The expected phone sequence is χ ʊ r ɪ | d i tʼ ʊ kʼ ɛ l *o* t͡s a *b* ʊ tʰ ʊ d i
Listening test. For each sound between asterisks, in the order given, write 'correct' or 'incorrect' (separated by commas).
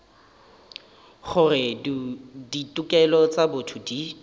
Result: incorrect, correct